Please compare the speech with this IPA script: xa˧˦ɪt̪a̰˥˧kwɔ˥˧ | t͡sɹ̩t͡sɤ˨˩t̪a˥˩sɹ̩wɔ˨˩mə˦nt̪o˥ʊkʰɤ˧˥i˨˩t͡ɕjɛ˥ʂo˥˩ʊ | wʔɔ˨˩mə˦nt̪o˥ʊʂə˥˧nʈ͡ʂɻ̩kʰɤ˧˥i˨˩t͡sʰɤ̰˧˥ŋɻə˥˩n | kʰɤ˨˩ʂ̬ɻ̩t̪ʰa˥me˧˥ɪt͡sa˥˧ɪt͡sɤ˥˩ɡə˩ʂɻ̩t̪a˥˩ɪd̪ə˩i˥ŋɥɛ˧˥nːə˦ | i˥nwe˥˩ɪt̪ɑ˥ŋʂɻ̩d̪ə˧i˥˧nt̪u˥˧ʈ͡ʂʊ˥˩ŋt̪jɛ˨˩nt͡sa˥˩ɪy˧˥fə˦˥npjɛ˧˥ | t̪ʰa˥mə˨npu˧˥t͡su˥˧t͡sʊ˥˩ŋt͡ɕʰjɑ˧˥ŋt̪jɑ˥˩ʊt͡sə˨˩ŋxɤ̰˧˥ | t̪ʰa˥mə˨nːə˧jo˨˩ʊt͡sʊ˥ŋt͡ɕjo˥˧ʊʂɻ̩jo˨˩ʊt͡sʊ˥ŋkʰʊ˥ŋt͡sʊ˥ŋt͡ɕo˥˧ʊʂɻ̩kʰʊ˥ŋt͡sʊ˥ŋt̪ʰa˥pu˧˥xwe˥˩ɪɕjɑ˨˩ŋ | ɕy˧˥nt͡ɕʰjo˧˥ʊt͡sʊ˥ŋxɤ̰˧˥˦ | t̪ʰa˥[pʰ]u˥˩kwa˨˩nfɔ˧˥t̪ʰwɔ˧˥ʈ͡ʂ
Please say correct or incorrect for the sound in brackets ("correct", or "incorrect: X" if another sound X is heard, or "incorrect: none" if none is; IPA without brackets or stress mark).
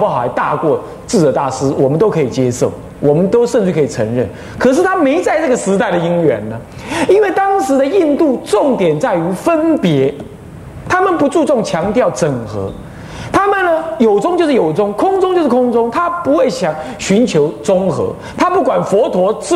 incorrect: p